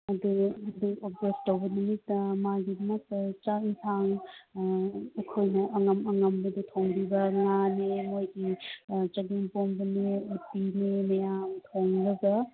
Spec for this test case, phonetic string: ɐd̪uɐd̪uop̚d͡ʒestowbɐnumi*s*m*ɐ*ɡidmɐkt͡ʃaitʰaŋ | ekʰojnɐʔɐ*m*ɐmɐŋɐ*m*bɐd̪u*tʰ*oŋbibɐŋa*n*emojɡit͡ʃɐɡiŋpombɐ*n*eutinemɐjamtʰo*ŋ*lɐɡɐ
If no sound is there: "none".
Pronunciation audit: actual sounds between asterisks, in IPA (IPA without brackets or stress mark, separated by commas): t, a, ŋ, m, tʰ, n, n, ŋ